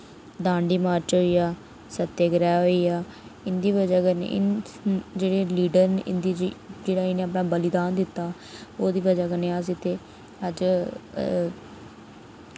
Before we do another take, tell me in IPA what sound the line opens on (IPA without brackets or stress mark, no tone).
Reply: d̪